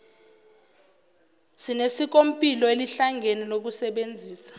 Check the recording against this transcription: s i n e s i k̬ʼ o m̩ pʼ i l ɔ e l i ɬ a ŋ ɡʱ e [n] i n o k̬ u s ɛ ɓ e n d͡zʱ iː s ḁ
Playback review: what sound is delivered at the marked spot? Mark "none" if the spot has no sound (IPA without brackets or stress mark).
n